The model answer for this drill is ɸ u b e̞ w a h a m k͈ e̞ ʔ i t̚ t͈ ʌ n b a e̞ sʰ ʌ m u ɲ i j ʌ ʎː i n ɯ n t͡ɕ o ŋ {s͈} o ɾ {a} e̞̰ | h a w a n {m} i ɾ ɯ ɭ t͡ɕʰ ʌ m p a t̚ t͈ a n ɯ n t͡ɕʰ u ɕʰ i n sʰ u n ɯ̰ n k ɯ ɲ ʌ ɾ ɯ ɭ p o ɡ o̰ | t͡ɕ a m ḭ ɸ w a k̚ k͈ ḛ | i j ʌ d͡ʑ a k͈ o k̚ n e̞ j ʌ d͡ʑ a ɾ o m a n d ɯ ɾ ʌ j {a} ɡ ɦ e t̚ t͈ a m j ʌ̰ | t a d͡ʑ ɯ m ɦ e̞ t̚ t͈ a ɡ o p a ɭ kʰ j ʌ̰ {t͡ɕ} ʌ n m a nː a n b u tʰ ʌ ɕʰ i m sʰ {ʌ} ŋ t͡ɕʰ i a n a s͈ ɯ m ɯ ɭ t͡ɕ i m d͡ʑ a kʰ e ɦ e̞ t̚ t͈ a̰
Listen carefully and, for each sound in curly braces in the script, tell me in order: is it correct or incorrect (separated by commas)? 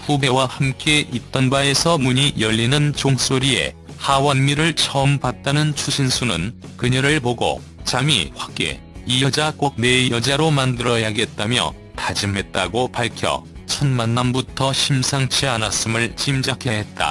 correct, incorrect, correct, correct, incorrect, incorrect